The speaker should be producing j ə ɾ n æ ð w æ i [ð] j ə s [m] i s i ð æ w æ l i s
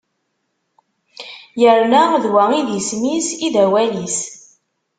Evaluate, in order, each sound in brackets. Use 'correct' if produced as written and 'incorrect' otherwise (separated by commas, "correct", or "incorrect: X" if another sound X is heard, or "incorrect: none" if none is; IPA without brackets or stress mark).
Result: correct, correct